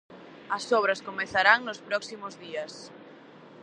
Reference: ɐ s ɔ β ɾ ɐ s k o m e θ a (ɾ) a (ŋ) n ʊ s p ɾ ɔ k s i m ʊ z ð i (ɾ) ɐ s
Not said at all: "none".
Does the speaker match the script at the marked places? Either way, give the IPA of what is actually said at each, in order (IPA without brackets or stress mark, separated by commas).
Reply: ɾ, ŋ, none